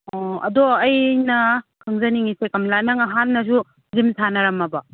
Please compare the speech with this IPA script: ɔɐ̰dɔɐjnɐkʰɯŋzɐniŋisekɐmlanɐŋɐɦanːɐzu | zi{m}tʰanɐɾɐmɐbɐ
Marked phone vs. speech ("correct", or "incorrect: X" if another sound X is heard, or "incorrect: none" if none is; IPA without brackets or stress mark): correct